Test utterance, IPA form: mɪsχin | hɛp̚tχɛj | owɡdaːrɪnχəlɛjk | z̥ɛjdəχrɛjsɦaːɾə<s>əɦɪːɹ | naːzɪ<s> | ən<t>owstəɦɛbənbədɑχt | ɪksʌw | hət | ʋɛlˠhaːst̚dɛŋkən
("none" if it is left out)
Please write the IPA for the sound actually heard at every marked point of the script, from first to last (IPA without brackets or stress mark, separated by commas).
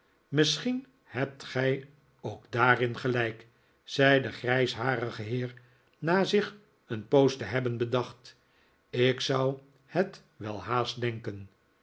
χ, χ, p